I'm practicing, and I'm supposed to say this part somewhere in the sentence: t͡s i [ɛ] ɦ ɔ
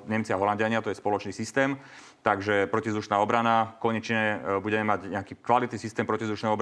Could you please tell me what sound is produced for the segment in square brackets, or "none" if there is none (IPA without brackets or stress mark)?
a